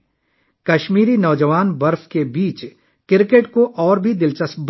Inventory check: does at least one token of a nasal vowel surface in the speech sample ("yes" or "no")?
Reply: no